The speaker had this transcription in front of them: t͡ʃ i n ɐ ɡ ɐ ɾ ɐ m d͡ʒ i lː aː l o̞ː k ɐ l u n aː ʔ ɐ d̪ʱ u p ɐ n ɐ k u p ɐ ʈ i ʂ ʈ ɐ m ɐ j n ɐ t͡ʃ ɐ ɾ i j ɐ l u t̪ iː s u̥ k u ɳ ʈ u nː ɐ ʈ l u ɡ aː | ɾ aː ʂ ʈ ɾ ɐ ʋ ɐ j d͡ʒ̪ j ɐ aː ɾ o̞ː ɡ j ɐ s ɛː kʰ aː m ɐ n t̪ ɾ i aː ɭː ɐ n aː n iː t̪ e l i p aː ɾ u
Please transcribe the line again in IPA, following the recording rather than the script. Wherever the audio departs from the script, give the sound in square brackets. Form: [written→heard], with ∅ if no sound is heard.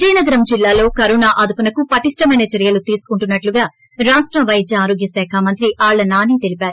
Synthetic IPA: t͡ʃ [i→iː] n ɐ ɡ ɐ ɾ ɐ m d͡ʒ i lː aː l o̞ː k ɐ [l→ɾ] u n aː ʔ ɐ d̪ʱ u p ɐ n ɐ k u p ɐ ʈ i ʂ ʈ ɐ m ɐ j n ɐ t͡ʃ ɐ ɾ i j ɐ l u t̪ iː s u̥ k u ɳ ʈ u nː ɐ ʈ l u ɡ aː | ɾ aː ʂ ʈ ɾ ɐ ʋ ɐ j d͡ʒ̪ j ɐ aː ɾ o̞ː ɡ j ɐ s ɛː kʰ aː m ɐ n t̪ ɾ i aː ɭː ɐ n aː n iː t̪ e l i p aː ɾ u

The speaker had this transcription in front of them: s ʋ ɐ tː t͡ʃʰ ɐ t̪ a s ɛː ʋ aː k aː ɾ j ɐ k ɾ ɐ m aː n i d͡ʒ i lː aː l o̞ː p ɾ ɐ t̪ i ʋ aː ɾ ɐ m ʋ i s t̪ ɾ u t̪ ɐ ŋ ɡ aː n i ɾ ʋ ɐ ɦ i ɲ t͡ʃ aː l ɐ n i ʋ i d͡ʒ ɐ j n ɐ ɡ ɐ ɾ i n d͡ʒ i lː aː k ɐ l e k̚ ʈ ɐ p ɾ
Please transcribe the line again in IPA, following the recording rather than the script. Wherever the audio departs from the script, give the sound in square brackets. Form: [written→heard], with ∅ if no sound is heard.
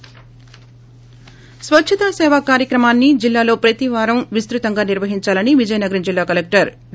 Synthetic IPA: s ʋ ɐ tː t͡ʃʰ ɐ t̪ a s ɛː ʋ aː k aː ɾ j ɐ k ɾ ɐ m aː [n→nː] i d͡ʒ i lː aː l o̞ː p ɾ ɐ t̪ i ʋ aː ɾ ɐ m ʋ i s t̪ ɾ u t̪ ɐ ŋ ɡ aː n i ɾ ʋ ɐ ɦ i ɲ t͡ʃ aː l ɐ n i ʋ i d͡ʒ ɐ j n ɐ ɡ ɐ ɾ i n d͡ʒ i lː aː k ɐ l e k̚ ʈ ɐ [p→∅] ɾ

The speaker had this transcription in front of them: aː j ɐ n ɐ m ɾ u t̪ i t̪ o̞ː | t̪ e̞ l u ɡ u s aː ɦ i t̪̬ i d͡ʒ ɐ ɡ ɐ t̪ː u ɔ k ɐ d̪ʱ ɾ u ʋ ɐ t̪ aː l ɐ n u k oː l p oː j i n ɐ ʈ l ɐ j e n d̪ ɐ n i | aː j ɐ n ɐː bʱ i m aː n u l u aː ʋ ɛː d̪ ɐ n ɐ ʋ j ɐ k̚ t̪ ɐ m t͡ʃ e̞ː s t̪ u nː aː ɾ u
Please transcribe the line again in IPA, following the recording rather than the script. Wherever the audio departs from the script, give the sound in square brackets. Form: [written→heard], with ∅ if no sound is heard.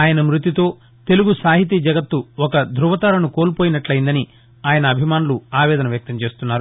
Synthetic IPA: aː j ɐ n ɐ m ɾ u t̪ i t̪ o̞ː | t̪ e̞ l u ɡ u s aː ɦ i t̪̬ i d͡ʒ ɐ ɡ ɐ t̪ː u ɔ k ɐ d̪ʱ ɾ u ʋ ɐ t̪ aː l ɐ n u k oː l p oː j i n ɐ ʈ l ɐ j [e→i] n d̪ ɐ n i | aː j ɐ n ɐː bʱ i m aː n u l u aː ʋ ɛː d̪ ɐ n ɐ ʋ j ɐ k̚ t̪ ɐ m t͡ʃ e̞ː s t̪ u nː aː ɾ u

